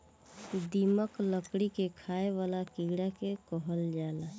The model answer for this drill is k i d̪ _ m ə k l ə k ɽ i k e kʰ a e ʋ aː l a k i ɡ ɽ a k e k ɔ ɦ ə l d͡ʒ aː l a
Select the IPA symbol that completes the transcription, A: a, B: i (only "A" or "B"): B